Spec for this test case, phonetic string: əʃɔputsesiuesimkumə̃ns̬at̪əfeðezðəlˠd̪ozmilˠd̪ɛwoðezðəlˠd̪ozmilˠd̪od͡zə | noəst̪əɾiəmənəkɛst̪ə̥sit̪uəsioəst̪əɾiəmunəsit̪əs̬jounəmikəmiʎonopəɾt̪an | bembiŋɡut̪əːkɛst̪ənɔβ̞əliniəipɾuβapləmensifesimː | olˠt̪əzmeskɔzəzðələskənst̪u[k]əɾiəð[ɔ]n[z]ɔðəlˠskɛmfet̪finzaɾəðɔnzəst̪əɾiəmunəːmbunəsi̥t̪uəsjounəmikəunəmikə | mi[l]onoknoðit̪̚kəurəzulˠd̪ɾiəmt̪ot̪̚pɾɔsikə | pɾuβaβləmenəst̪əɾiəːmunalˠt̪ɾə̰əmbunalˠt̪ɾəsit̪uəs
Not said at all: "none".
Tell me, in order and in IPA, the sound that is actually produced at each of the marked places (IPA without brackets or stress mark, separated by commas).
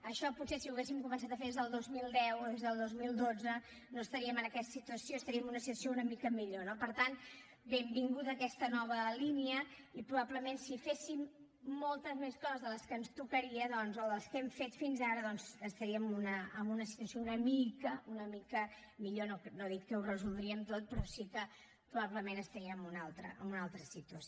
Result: k, ɔ, z, ʎ